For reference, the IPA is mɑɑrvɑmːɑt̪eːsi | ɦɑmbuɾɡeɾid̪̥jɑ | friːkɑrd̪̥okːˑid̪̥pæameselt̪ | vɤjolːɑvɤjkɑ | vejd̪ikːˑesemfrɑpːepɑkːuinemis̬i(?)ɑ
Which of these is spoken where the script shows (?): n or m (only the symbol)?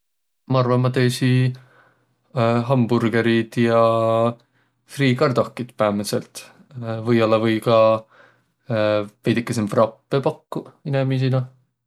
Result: n